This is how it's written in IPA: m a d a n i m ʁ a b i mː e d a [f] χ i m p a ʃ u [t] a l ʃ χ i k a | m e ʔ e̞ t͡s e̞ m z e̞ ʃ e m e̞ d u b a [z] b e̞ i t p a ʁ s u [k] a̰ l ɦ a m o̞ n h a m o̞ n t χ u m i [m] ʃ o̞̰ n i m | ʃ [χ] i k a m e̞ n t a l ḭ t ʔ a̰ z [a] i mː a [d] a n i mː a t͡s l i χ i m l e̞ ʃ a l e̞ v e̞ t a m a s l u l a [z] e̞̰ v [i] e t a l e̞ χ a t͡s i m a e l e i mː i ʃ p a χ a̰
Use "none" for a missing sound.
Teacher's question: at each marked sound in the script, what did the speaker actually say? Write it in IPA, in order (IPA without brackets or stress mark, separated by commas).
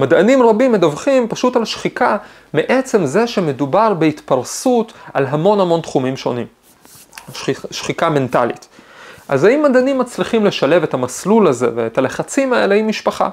v, t, ʁ, t, m, χ, a, d, z, e